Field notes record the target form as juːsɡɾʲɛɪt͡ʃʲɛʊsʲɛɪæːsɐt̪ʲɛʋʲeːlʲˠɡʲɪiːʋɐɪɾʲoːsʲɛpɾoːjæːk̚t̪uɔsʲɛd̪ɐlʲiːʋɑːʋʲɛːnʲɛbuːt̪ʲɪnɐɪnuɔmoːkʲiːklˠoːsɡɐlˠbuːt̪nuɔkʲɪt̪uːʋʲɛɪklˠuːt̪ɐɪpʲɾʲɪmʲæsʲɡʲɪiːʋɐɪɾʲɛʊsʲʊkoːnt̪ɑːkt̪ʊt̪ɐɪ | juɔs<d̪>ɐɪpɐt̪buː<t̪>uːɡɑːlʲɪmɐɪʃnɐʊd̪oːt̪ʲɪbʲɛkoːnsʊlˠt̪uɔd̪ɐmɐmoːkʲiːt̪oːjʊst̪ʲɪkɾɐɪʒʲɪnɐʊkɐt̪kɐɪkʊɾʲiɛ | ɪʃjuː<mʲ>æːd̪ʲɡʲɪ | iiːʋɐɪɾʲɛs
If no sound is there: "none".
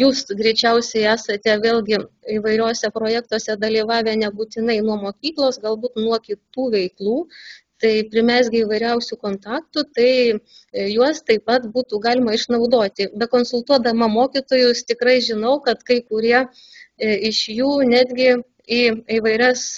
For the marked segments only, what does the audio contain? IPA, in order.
t̪, t̪, nʲ

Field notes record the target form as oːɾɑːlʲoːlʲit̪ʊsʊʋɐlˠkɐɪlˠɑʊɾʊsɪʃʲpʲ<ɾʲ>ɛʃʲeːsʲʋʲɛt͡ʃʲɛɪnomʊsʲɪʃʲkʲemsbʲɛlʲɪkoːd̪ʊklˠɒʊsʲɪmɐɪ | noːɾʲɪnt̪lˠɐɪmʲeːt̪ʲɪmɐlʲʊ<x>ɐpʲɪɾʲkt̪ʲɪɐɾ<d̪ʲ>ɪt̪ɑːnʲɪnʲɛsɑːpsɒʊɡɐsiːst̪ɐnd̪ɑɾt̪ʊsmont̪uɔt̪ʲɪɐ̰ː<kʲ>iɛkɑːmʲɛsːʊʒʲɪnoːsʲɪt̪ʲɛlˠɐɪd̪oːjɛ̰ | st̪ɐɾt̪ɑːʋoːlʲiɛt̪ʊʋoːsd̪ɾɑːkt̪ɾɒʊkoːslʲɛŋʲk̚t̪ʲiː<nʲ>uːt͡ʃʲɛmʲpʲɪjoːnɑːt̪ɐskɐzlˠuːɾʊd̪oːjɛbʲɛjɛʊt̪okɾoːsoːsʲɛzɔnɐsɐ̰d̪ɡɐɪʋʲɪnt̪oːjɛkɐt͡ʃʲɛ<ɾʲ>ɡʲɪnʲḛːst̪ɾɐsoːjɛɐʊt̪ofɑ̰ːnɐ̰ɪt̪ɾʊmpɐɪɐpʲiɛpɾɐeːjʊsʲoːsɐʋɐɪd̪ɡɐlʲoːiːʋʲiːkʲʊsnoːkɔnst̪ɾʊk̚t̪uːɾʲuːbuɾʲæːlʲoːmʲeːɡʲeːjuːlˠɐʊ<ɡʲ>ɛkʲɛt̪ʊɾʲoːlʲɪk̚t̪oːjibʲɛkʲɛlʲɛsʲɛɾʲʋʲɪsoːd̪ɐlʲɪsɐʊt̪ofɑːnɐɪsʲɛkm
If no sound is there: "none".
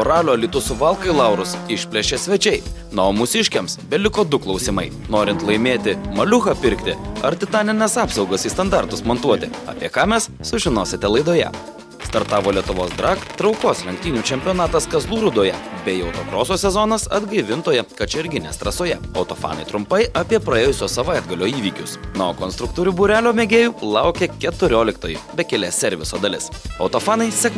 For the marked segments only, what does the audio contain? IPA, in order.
lʲ, x, t̪ʲ, pʲ, nʲ, ɾʲ, kʲ

